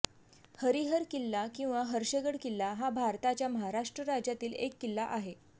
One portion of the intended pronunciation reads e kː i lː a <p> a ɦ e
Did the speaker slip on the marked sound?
yes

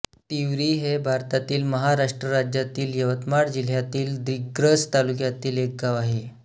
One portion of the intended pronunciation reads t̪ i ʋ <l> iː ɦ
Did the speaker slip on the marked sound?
yes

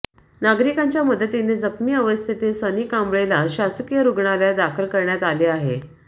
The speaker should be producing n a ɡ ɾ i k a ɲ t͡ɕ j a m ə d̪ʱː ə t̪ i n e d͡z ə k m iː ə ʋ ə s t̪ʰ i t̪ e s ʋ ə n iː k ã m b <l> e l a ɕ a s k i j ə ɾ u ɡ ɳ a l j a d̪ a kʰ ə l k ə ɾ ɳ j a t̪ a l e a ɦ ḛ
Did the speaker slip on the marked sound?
yes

